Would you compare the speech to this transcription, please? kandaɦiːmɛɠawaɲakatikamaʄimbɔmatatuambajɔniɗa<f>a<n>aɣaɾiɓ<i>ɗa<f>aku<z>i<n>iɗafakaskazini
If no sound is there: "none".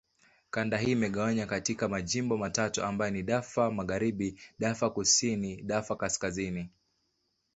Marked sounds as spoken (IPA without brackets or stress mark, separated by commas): f, m, i, f, s, n